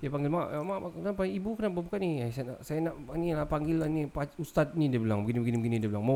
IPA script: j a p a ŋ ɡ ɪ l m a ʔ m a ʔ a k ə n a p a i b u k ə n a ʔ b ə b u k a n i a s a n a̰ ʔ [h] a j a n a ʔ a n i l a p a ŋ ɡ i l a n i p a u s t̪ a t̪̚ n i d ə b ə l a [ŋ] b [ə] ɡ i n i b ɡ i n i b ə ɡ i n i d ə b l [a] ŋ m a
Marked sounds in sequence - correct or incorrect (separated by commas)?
incorrect, correct, correct, correct